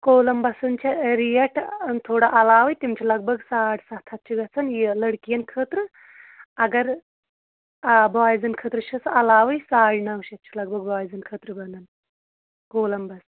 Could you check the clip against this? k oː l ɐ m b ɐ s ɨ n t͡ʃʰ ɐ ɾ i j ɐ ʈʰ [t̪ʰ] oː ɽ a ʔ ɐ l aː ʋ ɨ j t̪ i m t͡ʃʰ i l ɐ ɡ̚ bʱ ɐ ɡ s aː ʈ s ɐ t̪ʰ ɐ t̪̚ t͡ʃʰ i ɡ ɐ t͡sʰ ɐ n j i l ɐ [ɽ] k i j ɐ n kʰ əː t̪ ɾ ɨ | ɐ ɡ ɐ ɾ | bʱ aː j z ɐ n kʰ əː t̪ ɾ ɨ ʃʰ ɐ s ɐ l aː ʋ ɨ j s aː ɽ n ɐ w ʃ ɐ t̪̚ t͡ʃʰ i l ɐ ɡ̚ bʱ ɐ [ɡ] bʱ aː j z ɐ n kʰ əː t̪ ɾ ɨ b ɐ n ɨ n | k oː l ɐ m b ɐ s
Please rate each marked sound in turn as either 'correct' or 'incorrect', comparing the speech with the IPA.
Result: correct, correct, correct

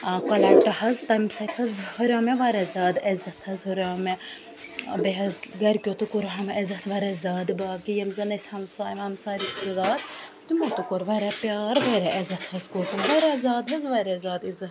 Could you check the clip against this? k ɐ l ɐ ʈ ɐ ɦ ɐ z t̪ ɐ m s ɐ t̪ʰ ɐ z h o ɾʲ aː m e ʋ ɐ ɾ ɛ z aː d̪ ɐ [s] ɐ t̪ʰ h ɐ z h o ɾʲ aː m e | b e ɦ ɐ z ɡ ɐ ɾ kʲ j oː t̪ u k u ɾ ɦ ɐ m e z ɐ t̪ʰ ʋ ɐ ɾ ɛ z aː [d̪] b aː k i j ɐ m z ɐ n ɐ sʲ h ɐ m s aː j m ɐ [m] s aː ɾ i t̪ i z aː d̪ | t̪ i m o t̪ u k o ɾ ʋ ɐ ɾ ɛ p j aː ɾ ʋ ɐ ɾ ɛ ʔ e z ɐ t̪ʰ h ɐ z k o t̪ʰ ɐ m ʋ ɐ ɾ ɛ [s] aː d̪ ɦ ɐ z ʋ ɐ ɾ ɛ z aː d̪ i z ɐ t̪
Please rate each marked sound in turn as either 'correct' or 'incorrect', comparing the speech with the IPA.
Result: incorrect, correct, correct, incorrect

